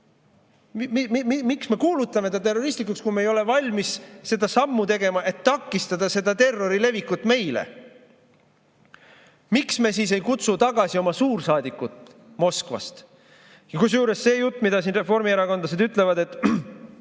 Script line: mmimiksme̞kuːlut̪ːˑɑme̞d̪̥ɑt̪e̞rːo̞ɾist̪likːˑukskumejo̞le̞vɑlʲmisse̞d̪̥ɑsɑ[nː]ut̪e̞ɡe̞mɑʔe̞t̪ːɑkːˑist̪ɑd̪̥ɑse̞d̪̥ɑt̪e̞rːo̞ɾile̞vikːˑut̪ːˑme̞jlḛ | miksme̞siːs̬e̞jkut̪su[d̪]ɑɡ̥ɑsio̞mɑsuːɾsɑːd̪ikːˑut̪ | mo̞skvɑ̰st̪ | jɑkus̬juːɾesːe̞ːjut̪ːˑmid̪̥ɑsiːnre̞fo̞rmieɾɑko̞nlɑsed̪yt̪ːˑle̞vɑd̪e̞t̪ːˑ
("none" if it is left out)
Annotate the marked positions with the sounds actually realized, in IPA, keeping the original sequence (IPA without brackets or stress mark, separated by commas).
mː, t̪